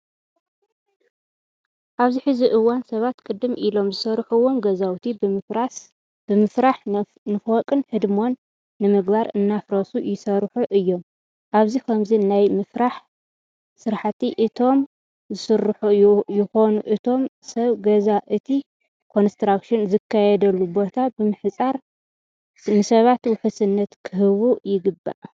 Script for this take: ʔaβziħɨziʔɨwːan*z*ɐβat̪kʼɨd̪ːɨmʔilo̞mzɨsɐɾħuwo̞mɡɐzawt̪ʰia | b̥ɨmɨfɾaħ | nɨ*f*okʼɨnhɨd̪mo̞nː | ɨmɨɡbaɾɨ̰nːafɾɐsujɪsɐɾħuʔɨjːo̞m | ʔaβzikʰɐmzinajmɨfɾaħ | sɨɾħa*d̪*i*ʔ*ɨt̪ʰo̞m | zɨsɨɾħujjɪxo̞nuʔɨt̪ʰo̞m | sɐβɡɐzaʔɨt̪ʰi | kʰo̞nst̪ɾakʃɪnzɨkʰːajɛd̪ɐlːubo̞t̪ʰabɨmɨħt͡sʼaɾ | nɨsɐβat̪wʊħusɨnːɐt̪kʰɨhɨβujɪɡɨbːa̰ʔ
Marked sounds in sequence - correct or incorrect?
incorrect: s, correct, incorrect: t̪, correct

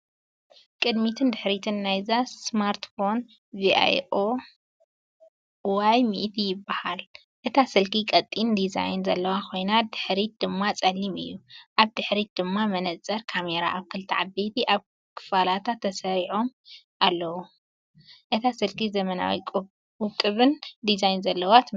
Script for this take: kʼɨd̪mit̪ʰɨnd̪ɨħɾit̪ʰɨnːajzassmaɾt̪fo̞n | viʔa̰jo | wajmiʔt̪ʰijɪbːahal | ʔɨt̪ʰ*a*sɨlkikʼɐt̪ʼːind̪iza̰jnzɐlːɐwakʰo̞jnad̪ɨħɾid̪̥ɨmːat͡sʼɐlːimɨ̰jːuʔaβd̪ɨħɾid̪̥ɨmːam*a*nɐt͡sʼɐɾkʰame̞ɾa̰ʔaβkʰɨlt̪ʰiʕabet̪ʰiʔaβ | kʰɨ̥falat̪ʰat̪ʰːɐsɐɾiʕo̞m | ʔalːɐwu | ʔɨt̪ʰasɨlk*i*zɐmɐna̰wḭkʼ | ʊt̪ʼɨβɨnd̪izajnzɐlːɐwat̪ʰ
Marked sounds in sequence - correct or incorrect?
correct, incorrect: ɐ, correct

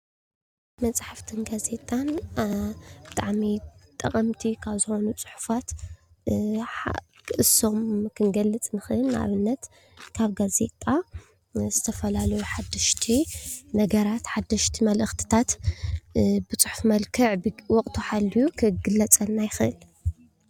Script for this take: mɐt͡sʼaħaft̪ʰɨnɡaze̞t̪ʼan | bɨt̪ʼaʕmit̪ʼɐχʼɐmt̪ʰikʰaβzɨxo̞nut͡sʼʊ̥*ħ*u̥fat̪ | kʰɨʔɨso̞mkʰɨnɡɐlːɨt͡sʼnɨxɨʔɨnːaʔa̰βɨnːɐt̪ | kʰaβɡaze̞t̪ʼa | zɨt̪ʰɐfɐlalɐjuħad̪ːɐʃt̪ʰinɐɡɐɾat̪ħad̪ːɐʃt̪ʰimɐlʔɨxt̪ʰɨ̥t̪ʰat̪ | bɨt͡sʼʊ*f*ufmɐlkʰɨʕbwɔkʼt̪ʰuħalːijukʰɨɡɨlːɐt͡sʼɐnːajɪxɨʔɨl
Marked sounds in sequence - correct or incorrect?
correct, incorrect: ħ

